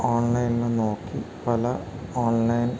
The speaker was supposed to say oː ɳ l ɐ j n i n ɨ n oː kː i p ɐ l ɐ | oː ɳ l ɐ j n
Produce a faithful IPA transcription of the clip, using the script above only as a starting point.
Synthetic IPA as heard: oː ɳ l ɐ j n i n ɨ n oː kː i p ɐ l ɐ | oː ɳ l ɐ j n